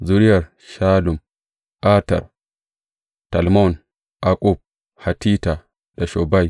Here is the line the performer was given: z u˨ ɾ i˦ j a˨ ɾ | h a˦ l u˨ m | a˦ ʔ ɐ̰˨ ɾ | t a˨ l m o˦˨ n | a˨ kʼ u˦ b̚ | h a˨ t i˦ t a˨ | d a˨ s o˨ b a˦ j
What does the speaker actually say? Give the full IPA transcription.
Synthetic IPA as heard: z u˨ ɾ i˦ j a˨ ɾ | ʃ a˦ l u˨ m | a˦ t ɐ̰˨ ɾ | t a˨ l m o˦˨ n | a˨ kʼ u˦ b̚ | h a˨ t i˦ t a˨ | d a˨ ʃ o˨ b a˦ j